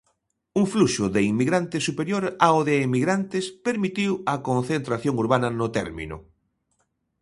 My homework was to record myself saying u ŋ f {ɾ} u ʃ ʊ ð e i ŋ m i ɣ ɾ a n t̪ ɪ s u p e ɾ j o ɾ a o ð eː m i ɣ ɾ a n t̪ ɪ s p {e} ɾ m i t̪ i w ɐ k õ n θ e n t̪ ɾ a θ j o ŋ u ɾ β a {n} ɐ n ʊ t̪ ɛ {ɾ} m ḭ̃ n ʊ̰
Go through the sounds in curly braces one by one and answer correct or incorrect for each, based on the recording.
incorrect: l, correct, correct, correct

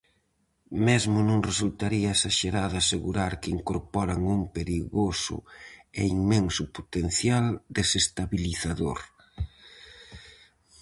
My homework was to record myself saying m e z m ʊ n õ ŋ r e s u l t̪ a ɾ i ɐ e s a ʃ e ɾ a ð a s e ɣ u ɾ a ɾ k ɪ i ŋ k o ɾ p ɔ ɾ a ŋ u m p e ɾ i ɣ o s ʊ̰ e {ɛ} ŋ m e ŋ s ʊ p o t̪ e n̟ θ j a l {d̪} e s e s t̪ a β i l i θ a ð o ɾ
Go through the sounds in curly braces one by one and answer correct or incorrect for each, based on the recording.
incorrect: i, correct

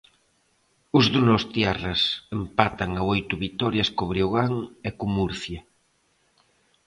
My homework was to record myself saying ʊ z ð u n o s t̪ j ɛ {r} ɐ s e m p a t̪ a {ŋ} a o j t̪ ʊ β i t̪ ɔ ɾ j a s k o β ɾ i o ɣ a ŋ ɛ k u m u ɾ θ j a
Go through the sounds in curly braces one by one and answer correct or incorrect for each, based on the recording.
correct, correct

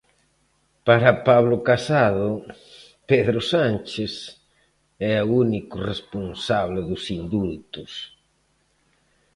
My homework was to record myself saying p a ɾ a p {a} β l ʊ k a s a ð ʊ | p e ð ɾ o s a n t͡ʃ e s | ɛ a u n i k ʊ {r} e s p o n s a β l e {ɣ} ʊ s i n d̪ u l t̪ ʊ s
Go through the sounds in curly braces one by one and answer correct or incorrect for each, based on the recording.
correct, correct, incorrect: ð

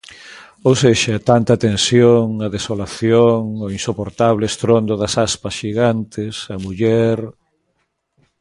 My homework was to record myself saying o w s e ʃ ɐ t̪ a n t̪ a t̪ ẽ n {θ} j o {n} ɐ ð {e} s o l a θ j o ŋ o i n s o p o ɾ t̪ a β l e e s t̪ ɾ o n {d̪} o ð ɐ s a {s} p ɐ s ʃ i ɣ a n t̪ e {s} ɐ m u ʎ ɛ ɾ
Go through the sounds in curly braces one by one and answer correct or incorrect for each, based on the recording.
incorrect: s, incorrect: ŋ, correct, correct, correct, correct

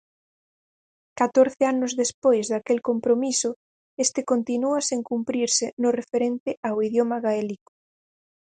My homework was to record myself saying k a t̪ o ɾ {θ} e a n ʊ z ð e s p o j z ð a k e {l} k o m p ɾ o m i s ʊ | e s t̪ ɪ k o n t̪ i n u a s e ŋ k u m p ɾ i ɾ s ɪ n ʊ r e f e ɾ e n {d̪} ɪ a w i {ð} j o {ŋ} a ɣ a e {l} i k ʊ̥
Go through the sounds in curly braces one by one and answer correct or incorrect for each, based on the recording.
correct, correct, incorrect: t̪, correct, incorrect: m, correct

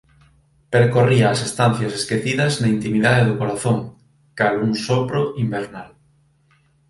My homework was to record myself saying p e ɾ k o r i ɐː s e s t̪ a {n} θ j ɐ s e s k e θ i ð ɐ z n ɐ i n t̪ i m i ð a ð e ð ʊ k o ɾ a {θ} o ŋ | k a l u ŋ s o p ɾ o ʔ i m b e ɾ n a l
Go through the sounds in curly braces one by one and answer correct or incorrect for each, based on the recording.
correct, correct

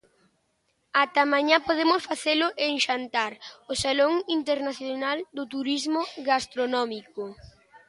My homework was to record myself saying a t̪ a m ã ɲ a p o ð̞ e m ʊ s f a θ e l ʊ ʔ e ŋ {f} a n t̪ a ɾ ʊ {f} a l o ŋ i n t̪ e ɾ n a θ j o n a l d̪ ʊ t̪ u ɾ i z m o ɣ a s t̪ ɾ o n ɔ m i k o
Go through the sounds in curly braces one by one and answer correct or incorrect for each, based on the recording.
incorrect: ʃ, incorrect: s

